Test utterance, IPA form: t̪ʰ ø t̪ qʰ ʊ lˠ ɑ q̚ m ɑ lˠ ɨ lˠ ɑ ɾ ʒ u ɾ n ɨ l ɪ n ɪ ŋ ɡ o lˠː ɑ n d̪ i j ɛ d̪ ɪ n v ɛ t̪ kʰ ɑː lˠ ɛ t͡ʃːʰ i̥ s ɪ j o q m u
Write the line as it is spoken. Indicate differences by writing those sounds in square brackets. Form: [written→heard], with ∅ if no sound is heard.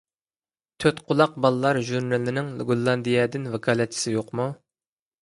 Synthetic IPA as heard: t̪ʰ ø t̪ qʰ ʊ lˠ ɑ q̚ [m→b] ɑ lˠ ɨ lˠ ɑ ɾ ʒ u ɾ n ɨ l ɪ n ɪ ŋ ɡ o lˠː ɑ n d̪ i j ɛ d̪ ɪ n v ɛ [t̪→∅] kʰ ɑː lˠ ɛ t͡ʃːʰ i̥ s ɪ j o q m u